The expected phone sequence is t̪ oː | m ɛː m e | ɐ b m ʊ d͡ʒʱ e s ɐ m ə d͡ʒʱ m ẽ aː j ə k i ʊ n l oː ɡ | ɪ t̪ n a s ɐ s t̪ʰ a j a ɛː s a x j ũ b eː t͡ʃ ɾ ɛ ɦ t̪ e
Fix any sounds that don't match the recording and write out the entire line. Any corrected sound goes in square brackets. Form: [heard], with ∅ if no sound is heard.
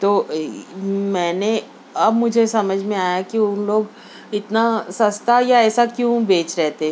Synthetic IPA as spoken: t̪ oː | m ɛː [n] e | ɐ b m ʊ d͡ʒʱ e s ɐ m ə d͡ʒʱ m ẽ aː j [a] k i ʊ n l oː ɡ | ɪ t̪ n a s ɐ s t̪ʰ a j a ɛː s a [k] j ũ b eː t͡ʃ ɾ ɛ ɦ t̪ e